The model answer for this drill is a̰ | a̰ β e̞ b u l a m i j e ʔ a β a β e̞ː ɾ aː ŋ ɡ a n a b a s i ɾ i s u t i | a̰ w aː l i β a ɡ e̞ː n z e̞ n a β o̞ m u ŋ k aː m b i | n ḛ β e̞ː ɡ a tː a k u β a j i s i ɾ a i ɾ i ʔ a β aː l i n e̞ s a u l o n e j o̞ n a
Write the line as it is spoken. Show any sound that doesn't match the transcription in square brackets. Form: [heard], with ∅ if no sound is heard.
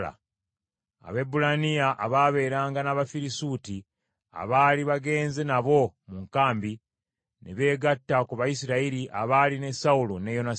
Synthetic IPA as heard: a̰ | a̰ β e̞ b u l a [n] i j [a] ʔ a β a β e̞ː ɾ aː ŋ ɡ a n a [β] a [f] i ɾ i s u t i | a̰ [β] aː l i β a ɡ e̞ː n z e̞ n a β o̞ m u ŋ k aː m b i | n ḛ β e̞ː ɡ a tː a k u β a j i s i ɾ a i ɾ i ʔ a β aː l i n e̞ s a u l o n e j o̞ n a